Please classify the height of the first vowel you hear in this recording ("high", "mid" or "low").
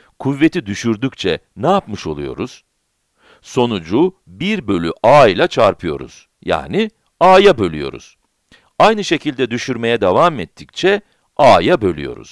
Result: high